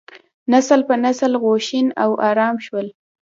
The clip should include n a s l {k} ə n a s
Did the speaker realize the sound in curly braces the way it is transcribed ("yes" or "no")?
no